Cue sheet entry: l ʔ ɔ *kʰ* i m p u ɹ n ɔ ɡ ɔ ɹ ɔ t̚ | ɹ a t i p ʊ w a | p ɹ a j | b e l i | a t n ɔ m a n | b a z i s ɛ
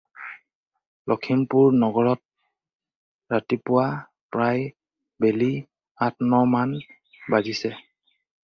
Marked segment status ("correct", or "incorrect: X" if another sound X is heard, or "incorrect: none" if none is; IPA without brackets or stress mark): correct